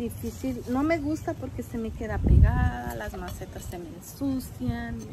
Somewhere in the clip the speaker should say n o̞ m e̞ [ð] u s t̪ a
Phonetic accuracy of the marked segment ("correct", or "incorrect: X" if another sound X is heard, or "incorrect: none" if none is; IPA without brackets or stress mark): incorrect: ɣ